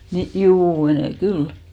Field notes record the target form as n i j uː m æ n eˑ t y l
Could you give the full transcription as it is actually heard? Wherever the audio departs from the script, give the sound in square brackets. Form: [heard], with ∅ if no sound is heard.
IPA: n i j uː m [e] n eˑ [k] y l